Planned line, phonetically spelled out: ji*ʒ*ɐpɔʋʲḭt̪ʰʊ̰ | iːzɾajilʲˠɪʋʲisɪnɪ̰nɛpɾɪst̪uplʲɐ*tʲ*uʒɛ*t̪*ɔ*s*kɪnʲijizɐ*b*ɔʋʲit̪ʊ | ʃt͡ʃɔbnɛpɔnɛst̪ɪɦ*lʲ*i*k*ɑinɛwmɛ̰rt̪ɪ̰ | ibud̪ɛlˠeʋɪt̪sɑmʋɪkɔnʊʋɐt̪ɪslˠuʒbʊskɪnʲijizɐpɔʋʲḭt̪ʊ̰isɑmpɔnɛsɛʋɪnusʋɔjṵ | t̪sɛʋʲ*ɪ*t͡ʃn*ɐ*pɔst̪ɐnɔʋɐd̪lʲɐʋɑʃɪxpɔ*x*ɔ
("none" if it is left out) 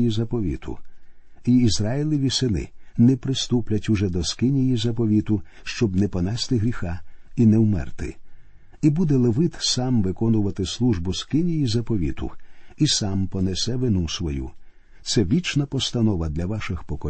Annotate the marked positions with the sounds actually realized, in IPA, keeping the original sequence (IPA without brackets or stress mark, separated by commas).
z, tʲ, d̪, s, p, ɾʲ, x, i, ɐ, k